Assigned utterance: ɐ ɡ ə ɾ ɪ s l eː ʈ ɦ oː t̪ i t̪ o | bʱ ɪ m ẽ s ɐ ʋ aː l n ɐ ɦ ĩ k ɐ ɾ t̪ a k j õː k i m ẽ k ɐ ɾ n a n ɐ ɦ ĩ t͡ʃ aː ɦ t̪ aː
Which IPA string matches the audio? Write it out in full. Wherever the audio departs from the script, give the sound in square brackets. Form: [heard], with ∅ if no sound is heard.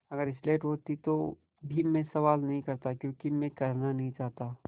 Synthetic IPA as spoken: ɐ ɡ ə ɾ ɪ s l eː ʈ ɦ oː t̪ i t̪ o | bʱ [i] m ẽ s ɐ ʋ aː l n ɐ ɦ ĩ k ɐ ɾ t̪ a k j õː k i m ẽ k ɐ ɾ n a n ɐ ɦ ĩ t͡ʃ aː ɦ t̪ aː